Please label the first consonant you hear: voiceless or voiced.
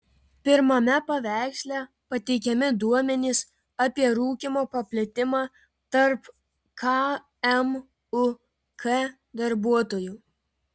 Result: voiceless